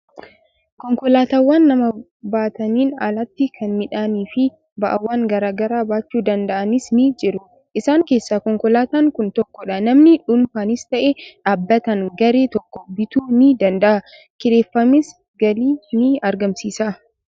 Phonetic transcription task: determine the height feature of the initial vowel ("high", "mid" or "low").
mid